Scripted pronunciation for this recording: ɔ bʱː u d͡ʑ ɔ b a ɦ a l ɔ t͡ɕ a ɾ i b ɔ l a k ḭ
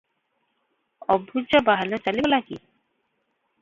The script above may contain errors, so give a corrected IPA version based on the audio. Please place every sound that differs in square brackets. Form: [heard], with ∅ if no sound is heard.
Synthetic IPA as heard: ɔ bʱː u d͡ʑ ɔ b a ɦ a l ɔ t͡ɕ a [l] i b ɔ l a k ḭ

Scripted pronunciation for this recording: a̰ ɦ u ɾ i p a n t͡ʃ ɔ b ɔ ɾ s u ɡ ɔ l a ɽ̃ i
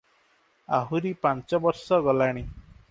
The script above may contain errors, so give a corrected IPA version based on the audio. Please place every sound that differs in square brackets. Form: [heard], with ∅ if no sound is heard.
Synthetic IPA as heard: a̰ ɦ u ɾ i p a n t͡ʃ ɔ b ɔ ɾ s [ɔ] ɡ ɔ l a ɽ̃ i

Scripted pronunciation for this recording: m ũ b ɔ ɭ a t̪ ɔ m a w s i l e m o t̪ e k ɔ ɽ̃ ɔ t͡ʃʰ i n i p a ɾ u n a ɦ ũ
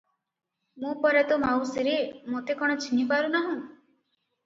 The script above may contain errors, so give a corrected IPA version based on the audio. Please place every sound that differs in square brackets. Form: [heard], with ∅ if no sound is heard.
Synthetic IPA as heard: m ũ [p] ɔ [ɾ] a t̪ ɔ m a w s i [ɾ] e m o t̪ e k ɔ ɽ̃ ɔ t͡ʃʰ i n i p a ɾ u n a ɦ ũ

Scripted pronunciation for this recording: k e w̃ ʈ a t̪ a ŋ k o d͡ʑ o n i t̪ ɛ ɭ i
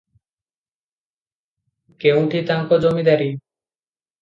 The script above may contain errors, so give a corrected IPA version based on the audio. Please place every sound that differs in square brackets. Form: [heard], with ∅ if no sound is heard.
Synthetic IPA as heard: k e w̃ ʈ [i] t̪ a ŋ k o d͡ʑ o [m] i [d̪] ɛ [ɾ] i

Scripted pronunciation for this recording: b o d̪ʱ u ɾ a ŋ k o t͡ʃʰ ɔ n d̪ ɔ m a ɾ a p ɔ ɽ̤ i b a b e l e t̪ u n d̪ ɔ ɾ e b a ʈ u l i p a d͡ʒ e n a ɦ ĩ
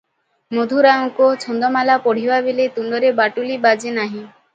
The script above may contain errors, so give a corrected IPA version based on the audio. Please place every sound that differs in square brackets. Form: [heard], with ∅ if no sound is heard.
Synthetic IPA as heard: [m] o d̪ʱ u ɾ a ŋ k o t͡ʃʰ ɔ n d̪ ɔ m a [l] a p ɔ ɽ̤ i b a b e l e t̪ u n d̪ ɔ ɾ e b a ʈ u l i [b] a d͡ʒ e n a ɦ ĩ

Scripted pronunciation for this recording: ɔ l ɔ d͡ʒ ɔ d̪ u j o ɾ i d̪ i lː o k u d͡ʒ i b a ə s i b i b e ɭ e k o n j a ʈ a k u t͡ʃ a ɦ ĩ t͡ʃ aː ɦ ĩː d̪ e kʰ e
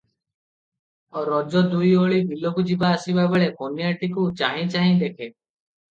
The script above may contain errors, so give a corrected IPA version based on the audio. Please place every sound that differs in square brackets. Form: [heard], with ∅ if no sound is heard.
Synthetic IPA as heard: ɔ [ɾ] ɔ d͡ʒ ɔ d̪ u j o [ɭ] i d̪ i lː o k u d͡ʒ i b a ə s i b [a] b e ɭ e k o n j a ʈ [i] k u t͡ʃ a ɦ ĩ t͡ʃ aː ɦ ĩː d̪ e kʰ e

